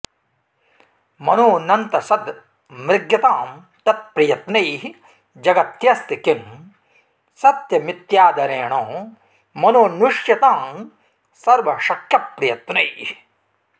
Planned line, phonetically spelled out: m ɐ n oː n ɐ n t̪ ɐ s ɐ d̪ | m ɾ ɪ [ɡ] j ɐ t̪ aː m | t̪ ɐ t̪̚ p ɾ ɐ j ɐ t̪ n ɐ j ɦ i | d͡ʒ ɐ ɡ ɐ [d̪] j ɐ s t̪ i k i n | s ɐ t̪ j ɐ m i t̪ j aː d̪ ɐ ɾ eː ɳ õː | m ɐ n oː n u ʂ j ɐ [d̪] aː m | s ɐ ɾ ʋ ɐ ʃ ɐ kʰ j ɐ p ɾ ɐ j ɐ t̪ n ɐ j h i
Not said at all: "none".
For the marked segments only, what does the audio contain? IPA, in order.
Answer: ɡ, t̪, t̪

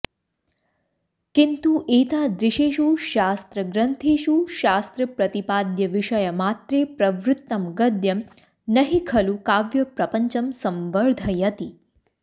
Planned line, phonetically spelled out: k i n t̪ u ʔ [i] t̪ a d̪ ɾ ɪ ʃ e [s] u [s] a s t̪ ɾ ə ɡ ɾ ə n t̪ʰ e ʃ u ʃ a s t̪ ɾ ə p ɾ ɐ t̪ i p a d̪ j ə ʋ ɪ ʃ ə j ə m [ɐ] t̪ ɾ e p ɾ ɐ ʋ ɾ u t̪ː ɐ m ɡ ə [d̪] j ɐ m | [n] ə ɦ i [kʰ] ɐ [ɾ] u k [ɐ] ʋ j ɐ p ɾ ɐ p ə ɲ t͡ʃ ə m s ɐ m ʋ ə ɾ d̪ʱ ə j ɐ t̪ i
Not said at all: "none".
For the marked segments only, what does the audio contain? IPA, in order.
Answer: e, ʃ, ʃ, a, d̪, n, kʰ, l, a

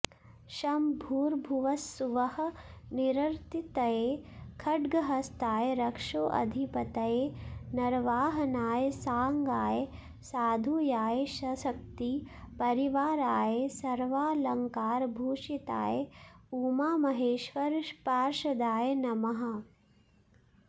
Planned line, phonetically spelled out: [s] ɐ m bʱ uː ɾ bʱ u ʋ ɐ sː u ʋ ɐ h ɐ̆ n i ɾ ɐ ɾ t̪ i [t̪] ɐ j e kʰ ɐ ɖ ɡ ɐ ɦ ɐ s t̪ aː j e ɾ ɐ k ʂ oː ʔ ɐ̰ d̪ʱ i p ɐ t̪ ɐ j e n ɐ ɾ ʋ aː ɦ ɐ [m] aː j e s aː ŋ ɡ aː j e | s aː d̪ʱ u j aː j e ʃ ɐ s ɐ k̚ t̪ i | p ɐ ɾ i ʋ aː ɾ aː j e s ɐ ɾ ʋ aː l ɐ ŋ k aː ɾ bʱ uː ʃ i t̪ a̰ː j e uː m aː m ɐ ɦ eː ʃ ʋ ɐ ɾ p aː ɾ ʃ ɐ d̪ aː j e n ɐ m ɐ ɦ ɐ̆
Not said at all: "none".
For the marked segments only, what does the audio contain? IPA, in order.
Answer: ʃ, t̪, n

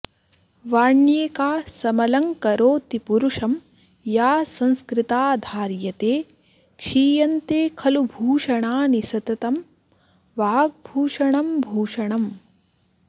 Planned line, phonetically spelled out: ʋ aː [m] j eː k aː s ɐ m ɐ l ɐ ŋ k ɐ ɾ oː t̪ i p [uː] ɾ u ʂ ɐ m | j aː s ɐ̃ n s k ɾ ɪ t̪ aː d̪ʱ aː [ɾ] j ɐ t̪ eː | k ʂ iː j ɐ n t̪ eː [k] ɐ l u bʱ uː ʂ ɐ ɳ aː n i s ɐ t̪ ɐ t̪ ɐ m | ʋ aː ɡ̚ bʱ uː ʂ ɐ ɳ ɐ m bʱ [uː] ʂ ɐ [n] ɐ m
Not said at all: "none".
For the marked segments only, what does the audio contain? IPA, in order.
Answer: ɳ, u, ɾ, kʰ, uː, ɳ

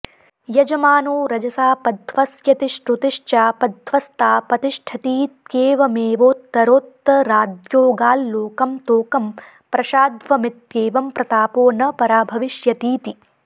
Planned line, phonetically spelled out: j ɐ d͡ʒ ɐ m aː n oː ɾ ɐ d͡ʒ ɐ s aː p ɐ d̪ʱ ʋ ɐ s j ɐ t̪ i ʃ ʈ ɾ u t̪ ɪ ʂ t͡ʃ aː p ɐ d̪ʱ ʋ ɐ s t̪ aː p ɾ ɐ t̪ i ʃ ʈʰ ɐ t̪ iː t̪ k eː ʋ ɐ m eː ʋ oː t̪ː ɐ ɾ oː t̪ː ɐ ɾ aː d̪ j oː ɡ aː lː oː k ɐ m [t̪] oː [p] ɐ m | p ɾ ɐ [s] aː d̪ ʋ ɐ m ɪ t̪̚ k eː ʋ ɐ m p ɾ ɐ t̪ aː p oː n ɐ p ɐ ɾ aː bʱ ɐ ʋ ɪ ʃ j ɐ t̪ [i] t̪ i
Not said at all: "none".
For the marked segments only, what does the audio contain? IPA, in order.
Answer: t̪, k, ʃ, iː

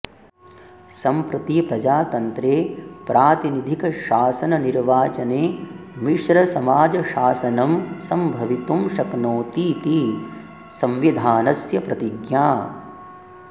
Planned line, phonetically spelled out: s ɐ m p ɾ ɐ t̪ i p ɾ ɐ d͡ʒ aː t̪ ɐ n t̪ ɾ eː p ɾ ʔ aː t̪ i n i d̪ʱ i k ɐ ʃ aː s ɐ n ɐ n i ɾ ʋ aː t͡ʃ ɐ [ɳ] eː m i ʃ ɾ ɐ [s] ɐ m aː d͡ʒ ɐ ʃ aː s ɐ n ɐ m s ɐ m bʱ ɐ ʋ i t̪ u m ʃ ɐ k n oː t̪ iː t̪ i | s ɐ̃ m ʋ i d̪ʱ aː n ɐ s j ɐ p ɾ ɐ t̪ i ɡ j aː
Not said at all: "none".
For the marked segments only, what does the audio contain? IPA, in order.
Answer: n, s

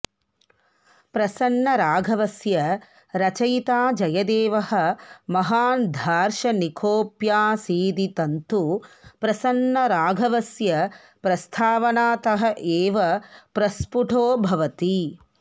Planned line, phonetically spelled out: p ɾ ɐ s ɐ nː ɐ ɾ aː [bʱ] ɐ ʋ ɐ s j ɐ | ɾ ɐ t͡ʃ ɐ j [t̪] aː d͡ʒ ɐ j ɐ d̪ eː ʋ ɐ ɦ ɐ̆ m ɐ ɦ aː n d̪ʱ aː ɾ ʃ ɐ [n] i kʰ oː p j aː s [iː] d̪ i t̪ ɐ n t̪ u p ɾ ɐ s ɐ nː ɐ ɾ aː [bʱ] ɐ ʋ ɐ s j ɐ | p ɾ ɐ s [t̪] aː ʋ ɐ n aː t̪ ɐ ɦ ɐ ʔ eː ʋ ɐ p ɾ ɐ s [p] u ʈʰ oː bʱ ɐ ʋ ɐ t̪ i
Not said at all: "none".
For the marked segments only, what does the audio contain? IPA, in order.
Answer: ɡʱ, t̪, n, iː, ɡʱ, t̪ʰ, p

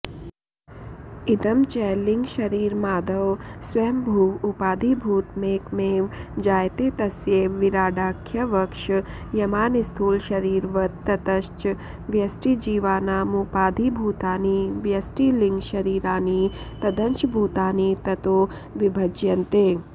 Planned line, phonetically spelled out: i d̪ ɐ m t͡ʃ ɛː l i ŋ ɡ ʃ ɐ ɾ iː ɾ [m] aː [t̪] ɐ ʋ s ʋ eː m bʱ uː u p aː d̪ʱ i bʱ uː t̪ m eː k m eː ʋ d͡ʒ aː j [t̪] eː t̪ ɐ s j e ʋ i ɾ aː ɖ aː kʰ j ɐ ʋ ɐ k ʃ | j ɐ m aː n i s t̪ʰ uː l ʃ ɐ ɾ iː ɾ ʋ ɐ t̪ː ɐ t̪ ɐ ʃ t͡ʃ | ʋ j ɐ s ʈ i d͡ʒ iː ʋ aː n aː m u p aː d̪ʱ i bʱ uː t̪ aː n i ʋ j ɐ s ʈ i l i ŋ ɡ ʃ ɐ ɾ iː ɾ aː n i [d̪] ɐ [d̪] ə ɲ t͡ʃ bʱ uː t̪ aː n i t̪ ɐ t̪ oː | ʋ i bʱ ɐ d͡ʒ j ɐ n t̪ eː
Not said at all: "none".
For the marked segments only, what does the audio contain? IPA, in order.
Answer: m, d̪, t̪, t̪, d̪

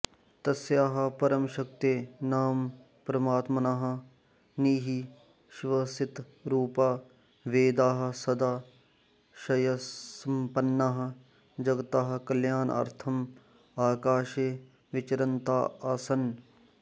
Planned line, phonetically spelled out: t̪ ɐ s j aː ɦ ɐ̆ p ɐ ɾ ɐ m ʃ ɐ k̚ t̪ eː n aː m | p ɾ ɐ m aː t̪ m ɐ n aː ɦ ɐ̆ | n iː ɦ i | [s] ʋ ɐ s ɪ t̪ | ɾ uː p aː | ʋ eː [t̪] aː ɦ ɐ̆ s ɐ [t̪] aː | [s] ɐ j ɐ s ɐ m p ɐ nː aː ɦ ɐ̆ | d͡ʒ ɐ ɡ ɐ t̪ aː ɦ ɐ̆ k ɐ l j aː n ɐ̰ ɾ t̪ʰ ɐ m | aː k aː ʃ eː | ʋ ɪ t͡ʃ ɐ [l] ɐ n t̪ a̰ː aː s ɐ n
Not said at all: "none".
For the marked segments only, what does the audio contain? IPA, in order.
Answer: ʃ, d̪, d̪, ʃ, ɾ

